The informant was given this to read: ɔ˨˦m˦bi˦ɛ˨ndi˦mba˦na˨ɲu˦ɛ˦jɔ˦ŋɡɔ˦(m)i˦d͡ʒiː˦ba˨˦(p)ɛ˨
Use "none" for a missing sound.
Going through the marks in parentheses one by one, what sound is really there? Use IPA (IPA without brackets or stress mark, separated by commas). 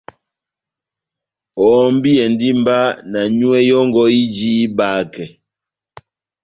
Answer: none, k